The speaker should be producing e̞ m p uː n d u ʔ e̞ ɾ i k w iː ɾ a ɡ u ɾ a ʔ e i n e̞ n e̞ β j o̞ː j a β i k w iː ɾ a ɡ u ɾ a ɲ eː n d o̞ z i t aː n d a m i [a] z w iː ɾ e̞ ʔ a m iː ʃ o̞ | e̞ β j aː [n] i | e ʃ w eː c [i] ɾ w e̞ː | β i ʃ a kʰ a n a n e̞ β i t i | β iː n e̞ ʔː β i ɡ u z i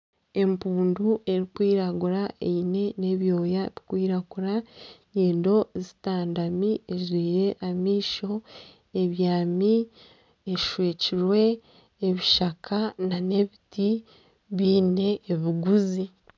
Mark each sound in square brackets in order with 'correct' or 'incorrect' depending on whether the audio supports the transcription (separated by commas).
incorrect, incorrect, correct